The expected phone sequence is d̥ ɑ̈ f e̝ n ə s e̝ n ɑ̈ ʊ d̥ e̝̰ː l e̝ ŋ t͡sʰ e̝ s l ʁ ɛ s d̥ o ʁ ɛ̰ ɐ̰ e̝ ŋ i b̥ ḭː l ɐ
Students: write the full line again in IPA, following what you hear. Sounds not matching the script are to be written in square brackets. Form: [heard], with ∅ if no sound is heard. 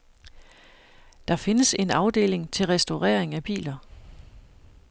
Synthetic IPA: d̥ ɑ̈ f e̝ n ə s e̝ n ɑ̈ ʊ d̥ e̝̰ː l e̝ ŋ t͡sʰ e̝ [∅] l ʁ ɛ s d̥ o ʁ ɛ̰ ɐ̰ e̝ ŋ [æ] b̥ ḭː l ɐ

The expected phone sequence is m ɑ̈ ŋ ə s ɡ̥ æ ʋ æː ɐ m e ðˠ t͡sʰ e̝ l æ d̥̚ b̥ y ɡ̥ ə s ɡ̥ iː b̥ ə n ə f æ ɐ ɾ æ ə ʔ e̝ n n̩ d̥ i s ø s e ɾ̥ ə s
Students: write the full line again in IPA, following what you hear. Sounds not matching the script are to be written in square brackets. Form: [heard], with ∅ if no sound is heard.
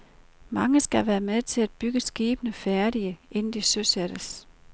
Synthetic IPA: m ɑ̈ ŋ ə s ɡ̥ æ ʋ æː ɐ m e ðˠ t͡sʰ e̝ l æ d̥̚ b̥ y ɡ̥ ə s ɡ̥ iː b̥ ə n ə f æ ɐ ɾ [i] ə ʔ e̝ n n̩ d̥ i s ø s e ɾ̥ ə s

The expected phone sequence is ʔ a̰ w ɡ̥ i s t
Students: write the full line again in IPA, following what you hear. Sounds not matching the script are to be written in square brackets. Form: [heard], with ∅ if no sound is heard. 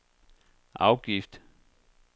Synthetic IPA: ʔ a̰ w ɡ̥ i [f] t

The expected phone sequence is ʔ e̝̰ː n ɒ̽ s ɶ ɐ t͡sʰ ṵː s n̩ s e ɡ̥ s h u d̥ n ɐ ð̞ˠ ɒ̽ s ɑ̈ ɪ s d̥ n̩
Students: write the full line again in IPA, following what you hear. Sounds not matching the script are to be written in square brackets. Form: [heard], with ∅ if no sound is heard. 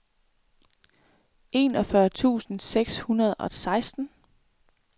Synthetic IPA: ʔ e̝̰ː n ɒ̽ [f] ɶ ɐ t͡sʰ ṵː s n̩ s e ɡ̥ s h u [∅] n ɐ ð̞ˠ ɒ̽ s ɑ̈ ɪ s d̥ n̩

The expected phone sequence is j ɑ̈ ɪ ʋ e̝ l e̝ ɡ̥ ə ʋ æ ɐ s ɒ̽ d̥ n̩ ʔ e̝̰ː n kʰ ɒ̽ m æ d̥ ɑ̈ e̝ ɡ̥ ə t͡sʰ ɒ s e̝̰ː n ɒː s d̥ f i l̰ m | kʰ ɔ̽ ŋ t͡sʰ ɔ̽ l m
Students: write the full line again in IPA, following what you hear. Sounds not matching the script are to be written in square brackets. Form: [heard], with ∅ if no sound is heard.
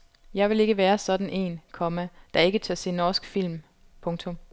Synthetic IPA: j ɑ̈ ɪ ʋ e̝ l e̝ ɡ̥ ə ʋ [æː] ɐ s ɒ̽ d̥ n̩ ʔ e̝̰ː n kʰ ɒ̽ m æ d̥ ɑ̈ e̝ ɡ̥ ə t͡sʰ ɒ s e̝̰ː n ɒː s [ɡ̥] f i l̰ m | [pʰ] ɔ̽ ŋ t͡sʰ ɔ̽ [∅] m

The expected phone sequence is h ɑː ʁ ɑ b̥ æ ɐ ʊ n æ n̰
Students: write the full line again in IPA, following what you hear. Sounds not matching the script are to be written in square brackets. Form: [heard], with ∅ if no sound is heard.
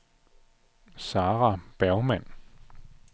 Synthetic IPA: [s] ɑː ʁ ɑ b̥ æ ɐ ʊ [m] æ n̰

